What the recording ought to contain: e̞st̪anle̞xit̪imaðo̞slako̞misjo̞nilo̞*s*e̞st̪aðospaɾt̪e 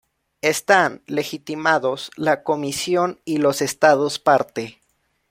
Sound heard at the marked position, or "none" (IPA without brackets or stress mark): s